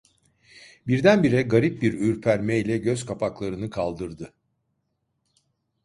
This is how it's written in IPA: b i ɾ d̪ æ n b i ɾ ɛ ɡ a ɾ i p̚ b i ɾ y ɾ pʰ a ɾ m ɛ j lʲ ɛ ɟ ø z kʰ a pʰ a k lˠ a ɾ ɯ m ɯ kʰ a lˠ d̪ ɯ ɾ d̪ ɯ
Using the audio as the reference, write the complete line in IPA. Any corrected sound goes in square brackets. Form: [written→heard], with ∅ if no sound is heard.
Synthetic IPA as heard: b i ɾ d̪ æ n b i ɾ ɛ ɡ a ɾ i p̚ b i ɾ y ɾ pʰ [a→æ] ɾ m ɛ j lʲ ɛ ɟ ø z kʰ a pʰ a k lˠ a ɾ ɯ [m→n] ɯ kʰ a lˠ d̪ ɯ ɾ d̪ ɯ